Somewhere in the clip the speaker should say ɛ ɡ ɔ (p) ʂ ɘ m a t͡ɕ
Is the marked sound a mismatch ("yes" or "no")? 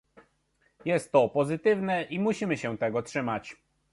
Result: yes